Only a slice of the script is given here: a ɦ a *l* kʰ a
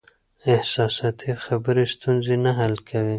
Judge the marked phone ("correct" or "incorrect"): correct